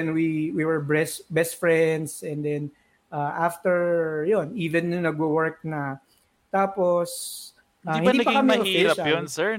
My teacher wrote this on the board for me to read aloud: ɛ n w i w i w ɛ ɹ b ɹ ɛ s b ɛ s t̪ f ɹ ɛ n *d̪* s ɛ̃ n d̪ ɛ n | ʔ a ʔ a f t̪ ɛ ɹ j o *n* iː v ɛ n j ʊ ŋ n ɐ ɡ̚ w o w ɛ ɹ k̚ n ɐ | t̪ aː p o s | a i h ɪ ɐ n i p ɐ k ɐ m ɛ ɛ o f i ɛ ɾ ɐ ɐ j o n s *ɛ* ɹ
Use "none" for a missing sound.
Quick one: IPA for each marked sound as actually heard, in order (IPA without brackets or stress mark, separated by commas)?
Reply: d̪, n, ɛ